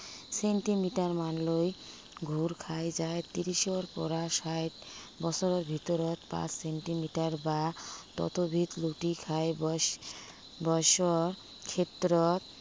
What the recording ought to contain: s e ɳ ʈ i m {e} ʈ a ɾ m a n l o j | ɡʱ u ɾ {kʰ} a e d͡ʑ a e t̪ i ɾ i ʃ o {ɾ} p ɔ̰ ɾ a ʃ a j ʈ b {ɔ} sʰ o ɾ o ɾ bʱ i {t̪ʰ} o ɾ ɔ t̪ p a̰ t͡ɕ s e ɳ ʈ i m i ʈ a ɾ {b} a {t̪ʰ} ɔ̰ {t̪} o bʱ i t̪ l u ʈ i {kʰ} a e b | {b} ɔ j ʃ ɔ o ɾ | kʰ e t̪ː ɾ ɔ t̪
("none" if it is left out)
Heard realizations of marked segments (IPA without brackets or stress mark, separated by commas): i, kʰ, ɾ, ɔ, t̪, b, t̪, t̪, kʰ, b